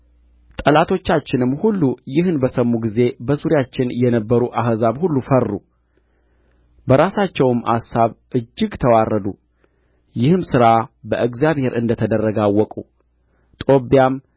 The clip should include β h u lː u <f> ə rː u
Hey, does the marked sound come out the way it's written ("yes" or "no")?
yes